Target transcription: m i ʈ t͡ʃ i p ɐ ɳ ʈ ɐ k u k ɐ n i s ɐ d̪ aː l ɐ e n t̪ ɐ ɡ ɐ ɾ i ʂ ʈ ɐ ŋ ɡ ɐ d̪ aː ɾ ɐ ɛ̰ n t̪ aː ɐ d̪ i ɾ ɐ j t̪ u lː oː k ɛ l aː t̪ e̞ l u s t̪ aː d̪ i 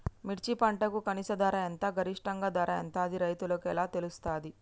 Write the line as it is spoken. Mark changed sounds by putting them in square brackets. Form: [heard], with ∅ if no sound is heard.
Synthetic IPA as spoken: m i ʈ t͡ʃ i p ɐ ɳ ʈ ɐ k u k ɐ n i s ɐ d̪ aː [ɾ] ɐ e n t̪ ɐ ɡ ɐ ɾ i ʂ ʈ ɐ ŋ ɡ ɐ d̪ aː ɾ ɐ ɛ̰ n t̪ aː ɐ d̪ i ɾ ɐ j t̪ u [l] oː k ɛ l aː t̪ e̞ l u s t̪ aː d̪ i